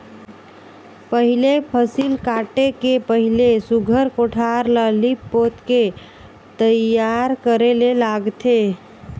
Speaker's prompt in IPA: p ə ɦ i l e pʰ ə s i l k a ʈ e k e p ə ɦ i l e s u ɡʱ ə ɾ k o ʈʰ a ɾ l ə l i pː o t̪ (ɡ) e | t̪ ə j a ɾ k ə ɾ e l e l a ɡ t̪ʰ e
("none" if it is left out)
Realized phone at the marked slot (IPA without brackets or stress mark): k